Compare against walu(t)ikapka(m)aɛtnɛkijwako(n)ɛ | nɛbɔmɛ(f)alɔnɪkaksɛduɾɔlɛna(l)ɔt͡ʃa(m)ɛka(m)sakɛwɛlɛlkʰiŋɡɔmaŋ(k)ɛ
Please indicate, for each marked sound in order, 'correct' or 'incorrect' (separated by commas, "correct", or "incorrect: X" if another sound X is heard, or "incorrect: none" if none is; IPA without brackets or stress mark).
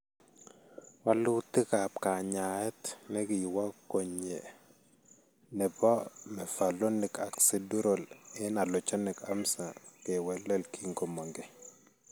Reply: correct, incorrect: ɲ, incorrect: ɲ, correct, correct, incorrect: n, correct, incorrect: ɡ